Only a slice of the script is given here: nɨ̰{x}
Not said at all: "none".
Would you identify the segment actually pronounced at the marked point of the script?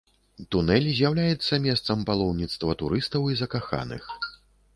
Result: x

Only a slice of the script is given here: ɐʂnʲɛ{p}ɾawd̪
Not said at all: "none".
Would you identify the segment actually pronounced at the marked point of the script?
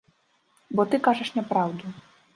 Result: p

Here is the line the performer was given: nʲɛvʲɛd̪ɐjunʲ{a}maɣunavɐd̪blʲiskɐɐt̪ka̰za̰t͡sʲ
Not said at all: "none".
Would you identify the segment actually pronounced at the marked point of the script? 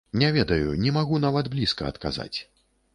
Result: ɛ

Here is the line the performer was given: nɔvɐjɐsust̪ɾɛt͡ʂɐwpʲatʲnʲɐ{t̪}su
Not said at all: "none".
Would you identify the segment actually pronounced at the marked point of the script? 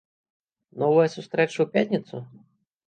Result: t̪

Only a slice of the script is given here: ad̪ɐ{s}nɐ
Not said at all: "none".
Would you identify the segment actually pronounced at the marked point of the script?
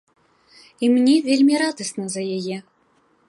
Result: s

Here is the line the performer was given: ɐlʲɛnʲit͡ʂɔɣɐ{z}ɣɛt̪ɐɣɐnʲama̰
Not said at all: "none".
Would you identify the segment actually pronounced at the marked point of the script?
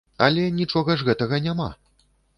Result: ʐ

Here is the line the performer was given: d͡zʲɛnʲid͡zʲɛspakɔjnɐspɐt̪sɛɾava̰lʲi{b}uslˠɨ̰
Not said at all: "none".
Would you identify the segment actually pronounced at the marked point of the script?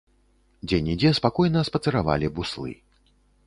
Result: b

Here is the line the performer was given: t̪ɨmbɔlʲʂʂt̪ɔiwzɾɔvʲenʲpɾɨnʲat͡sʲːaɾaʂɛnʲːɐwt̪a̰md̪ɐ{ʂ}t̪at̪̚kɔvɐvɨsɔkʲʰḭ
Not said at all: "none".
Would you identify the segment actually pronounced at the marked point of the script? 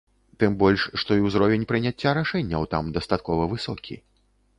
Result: s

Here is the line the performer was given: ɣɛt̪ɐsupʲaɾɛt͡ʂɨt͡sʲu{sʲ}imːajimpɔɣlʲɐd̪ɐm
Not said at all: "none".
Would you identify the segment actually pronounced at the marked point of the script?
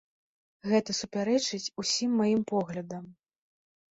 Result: sʲ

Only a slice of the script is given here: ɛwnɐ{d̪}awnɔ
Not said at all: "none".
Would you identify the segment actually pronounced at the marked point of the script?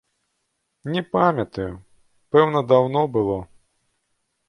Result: d̪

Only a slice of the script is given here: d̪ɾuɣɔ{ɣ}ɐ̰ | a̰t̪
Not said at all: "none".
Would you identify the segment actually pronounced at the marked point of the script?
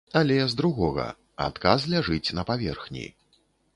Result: ɣ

